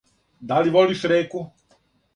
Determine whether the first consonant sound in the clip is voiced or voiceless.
voiced